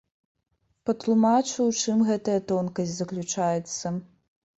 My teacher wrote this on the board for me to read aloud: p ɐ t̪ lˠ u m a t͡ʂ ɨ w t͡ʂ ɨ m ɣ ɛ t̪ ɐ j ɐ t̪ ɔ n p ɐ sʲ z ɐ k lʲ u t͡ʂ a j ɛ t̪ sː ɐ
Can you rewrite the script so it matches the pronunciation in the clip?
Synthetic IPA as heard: p ɐ t̪ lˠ u m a t͡ʂ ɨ w t͡ʂ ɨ m ɣ ɛ t̪ ɐ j ɐ t̪ ɔ n k ɐ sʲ z ɐ k lʲ u t͡ʂ a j ɛ t̪ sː ɐ